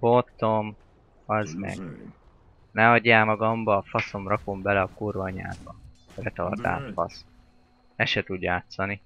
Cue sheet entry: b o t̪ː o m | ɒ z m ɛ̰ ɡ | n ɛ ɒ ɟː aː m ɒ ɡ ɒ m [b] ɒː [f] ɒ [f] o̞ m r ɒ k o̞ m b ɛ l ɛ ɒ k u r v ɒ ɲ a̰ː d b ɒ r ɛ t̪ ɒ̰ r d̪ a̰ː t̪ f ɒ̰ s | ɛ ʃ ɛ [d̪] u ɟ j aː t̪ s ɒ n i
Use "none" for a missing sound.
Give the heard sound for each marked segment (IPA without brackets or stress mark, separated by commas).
b, f, s, t̪